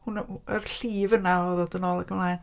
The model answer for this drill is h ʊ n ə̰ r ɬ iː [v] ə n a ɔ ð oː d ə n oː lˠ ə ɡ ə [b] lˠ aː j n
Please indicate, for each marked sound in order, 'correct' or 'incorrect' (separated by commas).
correct, incorrect